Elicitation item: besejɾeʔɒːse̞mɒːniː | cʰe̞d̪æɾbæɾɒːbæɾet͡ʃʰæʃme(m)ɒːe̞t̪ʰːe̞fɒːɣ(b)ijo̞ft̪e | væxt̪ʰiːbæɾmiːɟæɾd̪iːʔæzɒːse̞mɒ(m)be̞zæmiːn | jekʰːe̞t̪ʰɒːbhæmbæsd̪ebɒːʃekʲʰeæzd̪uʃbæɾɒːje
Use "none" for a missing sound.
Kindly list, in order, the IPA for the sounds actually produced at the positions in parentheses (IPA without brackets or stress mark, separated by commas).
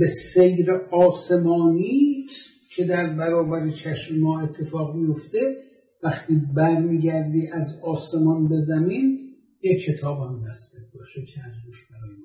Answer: m, m, n